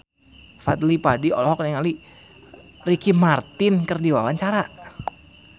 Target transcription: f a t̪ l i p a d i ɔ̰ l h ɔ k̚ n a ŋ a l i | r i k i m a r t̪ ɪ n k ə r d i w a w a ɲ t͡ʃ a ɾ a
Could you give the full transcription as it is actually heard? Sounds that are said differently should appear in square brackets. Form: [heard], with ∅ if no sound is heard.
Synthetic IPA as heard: f a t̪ l i p a d i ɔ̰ l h ɔ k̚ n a ŋ a l i | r i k i m a r t̪ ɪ n k ə r d i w a w a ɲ t͡ʃ a ɾ a